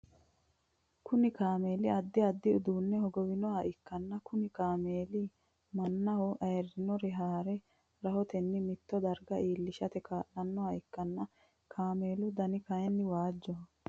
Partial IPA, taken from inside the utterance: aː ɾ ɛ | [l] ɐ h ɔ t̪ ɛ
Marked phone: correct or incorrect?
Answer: incorrect: ɾ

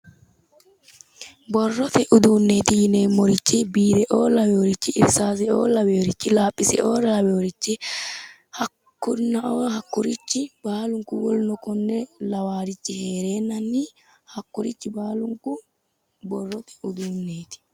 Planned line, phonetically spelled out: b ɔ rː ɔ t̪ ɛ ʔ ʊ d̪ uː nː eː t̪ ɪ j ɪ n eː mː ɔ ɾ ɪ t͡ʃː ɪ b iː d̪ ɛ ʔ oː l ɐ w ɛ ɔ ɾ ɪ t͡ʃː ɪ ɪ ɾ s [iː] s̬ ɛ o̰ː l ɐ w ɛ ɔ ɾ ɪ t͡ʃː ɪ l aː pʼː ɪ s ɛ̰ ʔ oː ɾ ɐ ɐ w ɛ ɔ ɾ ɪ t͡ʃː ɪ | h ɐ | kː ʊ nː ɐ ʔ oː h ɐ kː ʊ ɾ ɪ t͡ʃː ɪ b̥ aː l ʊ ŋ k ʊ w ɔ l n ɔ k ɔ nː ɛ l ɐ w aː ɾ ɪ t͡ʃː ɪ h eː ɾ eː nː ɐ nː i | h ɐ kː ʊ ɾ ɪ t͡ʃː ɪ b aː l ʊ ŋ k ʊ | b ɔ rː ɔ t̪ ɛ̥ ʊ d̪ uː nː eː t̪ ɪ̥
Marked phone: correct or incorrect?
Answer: incorrect: aː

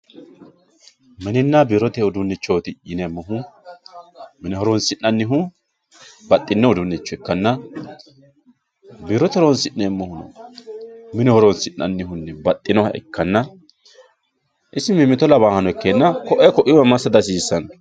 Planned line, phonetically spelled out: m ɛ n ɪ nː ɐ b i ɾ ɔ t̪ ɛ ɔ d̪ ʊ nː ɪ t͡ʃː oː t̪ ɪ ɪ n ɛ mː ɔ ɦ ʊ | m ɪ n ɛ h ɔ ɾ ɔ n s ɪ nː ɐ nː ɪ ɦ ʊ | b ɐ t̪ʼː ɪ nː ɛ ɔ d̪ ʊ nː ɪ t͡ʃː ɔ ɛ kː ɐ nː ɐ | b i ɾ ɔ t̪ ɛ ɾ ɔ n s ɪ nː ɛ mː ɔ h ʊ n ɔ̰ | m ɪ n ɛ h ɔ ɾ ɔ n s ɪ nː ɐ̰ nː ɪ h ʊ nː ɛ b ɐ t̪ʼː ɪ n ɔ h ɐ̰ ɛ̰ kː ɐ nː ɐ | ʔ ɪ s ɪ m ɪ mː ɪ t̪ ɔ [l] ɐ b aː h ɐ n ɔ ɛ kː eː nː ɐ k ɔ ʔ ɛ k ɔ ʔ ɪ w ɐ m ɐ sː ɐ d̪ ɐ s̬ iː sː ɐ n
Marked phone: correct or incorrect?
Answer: correct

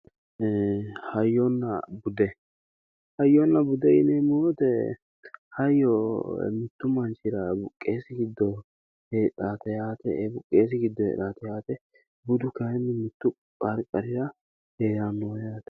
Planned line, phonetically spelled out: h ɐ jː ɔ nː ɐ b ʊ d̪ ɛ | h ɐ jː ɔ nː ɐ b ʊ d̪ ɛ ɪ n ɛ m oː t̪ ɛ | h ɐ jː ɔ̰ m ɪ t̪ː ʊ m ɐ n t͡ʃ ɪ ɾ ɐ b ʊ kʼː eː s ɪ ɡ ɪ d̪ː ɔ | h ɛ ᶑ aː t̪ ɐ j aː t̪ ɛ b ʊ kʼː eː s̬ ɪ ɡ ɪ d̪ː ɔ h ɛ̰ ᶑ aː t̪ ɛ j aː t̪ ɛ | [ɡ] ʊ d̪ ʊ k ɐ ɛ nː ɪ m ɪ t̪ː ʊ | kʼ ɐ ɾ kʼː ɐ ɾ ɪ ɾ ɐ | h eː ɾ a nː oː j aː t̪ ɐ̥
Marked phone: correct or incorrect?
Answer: incorrect: b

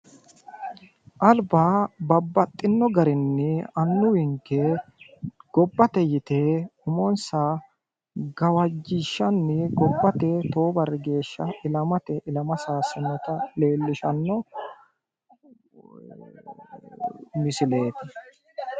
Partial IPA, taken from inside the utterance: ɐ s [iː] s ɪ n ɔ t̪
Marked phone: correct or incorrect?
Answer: incorrect: aː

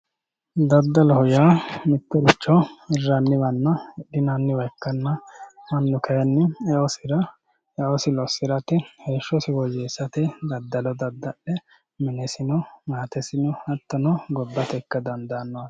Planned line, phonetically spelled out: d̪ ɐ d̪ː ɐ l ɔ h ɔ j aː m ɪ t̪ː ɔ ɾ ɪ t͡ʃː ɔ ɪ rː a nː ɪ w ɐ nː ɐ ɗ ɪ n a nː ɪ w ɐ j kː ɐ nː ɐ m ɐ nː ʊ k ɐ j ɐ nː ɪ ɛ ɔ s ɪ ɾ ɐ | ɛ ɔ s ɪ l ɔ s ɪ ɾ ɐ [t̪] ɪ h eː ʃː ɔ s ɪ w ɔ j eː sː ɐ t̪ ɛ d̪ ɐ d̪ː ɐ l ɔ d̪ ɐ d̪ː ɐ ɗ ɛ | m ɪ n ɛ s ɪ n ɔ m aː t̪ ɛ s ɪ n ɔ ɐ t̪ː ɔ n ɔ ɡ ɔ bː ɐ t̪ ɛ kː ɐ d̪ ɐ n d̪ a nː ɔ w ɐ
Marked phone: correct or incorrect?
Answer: correct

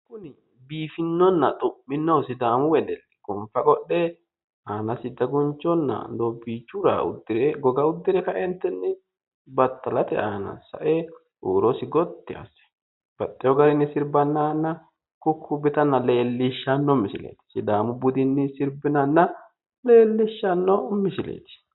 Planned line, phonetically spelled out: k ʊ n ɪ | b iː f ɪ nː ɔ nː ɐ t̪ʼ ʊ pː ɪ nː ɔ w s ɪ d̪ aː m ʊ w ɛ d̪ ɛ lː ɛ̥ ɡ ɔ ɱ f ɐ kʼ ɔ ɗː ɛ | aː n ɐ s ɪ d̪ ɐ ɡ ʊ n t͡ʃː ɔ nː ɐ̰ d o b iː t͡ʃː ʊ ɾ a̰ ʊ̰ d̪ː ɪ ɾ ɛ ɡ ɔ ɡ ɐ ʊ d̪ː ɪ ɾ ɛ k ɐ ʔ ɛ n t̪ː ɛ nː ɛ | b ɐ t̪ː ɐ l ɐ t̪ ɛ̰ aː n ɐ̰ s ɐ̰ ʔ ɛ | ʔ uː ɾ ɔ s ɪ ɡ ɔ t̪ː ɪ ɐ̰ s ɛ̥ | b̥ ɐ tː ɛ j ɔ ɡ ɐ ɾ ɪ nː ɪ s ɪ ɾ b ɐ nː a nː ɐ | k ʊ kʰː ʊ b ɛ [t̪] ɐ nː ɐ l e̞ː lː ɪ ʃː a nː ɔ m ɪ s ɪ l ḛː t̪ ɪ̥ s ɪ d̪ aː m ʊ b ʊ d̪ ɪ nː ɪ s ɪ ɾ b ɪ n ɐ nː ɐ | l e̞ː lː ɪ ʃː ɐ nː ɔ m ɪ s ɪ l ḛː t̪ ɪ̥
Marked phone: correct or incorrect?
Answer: correct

